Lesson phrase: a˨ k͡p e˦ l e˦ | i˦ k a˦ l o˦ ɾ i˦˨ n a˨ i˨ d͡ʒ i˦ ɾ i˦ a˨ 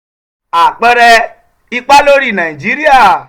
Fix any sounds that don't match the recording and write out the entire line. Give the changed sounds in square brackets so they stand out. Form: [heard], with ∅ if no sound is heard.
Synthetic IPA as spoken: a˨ k͡p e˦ [ɾ] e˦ | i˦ [k͡p] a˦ l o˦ ɾ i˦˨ n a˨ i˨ d͡ʒ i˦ ɾ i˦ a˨